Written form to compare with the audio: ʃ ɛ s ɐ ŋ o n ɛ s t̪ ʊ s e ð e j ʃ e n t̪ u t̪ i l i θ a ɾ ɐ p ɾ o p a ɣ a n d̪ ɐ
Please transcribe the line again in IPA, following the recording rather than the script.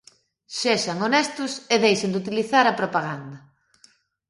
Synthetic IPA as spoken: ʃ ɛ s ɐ ŋ o n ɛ s t̪ ʊ s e ð e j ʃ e n d̪ u t̪ i l i θ a ɾ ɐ p ɾ o p a ɣ a n d̪ ɐ